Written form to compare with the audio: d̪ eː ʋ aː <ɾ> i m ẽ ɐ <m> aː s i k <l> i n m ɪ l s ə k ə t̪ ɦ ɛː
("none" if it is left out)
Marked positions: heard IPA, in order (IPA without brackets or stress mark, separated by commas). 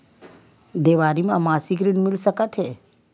ɾ, m, ɾ